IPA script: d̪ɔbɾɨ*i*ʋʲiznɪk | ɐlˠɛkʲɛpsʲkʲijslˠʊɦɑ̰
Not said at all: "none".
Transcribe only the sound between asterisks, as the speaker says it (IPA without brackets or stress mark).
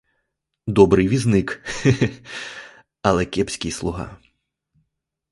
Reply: j